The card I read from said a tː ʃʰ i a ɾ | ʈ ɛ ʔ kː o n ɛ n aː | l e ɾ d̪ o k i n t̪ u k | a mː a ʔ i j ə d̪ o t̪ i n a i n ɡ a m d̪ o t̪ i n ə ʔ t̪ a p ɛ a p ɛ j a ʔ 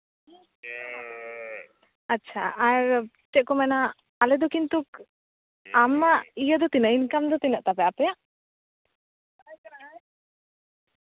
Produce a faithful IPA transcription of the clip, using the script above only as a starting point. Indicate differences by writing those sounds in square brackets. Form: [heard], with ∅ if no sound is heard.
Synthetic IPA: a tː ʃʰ [a] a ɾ | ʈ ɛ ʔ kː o [m] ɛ n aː | l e [∅] d̪ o k i n t̪ u k | a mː a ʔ i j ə d̪ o t̪ i n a i n [k] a m d̪ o t̪ i n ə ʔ t̪ a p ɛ a p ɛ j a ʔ